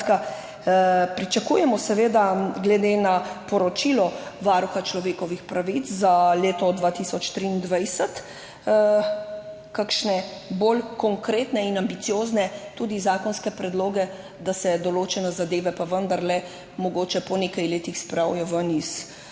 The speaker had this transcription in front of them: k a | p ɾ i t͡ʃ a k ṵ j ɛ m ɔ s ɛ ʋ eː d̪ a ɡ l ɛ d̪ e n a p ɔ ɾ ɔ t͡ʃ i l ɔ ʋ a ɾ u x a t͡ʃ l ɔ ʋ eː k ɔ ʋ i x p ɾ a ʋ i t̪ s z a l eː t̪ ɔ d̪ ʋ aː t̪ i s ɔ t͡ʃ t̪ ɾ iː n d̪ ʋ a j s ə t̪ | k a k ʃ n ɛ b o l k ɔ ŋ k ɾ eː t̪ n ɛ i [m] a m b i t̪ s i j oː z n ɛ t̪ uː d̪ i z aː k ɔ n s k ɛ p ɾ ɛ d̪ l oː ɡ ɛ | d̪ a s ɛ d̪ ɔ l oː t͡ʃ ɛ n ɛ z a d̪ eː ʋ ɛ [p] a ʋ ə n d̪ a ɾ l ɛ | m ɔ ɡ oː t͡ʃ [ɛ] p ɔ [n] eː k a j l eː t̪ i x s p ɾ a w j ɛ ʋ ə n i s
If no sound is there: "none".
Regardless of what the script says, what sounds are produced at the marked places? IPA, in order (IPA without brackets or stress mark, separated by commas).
n, p, ɛ, n